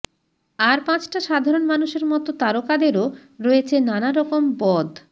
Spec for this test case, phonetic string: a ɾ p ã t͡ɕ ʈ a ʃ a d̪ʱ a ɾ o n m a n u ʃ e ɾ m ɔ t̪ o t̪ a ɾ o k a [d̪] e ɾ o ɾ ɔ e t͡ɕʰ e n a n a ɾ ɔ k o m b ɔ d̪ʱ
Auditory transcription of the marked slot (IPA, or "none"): d̪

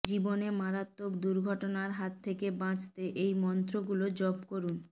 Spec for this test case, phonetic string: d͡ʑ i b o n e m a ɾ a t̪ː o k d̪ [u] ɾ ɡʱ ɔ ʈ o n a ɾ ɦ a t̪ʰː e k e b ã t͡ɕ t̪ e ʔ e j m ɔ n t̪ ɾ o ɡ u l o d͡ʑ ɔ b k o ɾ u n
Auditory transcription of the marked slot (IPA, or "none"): u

